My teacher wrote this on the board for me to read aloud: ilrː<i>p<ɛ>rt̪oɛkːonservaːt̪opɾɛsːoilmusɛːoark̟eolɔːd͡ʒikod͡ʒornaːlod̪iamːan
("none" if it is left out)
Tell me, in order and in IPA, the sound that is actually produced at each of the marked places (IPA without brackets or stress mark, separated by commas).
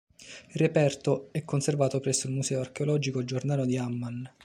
e, ɛ